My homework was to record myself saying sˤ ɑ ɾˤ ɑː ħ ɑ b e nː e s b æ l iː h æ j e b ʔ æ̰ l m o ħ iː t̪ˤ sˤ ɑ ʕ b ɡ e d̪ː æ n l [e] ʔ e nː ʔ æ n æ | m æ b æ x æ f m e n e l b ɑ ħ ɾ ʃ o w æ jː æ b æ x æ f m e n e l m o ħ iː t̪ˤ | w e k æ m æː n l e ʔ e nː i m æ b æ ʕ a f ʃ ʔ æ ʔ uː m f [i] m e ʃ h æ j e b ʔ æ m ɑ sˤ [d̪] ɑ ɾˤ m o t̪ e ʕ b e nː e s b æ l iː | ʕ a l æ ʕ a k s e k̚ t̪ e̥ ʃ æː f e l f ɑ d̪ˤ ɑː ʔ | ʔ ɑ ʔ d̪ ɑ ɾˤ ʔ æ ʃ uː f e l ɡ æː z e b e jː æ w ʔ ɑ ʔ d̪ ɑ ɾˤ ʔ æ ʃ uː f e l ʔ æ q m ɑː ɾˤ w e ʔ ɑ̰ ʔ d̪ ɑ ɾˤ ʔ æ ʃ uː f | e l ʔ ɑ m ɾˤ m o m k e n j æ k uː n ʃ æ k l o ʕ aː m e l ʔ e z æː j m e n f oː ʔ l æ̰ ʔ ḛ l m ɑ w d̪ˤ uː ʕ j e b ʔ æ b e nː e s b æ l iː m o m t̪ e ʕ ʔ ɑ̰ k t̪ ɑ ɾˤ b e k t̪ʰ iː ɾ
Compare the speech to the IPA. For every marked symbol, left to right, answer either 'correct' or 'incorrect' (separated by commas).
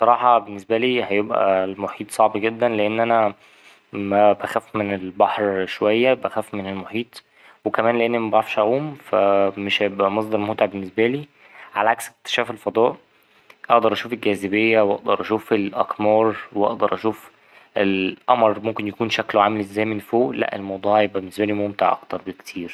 correct, incorrect, correct